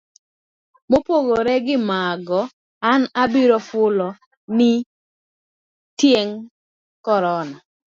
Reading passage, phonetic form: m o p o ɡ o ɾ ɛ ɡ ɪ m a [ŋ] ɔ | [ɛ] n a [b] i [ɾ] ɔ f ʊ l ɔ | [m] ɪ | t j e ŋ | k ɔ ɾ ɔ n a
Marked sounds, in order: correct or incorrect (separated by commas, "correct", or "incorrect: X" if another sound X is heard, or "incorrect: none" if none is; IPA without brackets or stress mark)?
incorrect: ɡ, incorrect: a, correct, correct, incorrect: n